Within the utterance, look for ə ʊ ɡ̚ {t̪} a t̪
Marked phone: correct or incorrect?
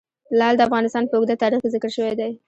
incorrect